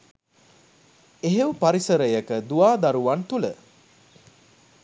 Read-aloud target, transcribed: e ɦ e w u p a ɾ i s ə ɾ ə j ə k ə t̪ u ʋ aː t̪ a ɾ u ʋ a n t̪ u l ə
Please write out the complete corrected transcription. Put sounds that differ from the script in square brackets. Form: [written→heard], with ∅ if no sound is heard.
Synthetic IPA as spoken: e ɦ e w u p a ɾ i s ə ɾ ə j ə k ə [t̪→d̪] u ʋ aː [t̪→d̪] a ɾ u ʋ a n t̪ u l ə